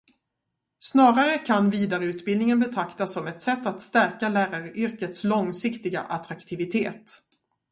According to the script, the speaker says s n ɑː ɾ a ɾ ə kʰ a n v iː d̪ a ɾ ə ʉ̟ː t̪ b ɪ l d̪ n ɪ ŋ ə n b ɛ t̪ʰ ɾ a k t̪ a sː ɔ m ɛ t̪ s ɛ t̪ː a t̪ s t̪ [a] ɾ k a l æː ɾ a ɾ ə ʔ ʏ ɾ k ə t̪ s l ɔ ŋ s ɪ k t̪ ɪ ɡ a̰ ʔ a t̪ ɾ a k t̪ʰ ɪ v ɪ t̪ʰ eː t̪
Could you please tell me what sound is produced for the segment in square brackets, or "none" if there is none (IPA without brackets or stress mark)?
æ